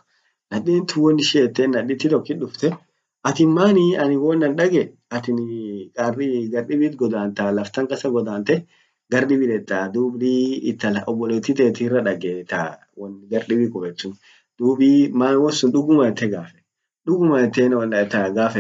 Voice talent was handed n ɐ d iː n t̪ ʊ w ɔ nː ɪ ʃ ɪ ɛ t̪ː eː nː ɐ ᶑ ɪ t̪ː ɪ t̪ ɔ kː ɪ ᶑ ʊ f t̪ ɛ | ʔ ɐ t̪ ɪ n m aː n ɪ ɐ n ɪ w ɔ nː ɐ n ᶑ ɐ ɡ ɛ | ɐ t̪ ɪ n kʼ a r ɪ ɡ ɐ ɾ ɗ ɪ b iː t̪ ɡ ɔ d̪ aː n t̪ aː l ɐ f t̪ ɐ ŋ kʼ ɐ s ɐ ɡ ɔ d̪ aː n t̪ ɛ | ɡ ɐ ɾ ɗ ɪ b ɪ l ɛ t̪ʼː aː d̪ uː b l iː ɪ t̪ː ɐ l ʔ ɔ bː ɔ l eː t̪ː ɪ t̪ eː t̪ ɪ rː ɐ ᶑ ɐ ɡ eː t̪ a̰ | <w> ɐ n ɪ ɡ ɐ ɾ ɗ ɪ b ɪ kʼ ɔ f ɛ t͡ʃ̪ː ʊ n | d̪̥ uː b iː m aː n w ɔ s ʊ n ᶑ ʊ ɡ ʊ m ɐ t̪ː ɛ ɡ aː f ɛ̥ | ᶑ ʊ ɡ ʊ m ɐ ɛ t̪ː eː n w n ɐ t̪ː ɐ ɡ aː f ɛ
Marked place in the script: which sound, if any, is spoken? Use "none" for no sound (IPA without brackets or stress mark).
w